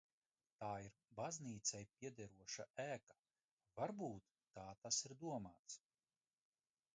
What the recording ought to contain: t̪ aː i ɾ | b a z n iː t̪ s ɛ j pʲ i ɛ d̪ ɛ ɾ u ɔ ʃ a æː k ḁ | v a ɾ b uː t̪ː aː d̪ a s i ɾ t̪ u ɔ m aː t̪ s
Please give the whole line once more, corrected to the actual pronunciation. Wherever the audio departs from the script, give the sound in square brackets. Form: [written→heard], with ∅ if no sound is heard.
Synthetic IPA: t̪ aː i ɾ | b a z n iː t̪ s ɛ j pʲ i ɛ d̪ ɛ ɾ u ɔ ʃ a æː k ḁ | v a ɾ b uː t̪ː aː [d̪→t̪] a s i ɾ [t̪→d̪] u ɔ m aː t̪ s